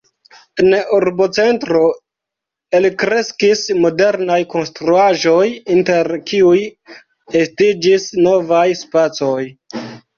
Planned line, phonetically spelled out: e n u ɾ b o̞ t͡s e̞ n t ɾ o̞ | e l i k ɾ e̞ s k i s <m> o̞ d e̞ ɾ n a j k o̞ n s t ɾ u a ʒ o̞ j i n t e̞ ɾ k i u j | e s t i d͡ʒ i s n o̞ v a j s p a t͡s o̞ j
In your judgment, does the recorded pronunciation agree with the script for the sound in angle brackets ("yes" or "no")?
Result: yes